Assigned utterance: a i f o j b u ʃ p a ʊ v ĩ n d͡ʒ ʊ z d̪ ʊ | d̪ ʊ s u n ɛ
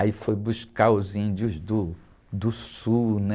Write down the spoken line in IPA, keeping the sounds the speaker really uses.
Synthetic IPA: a i f o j b u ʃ k a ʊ z ĩ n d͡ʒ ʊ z d̪ ʊ | d̪ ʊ s u n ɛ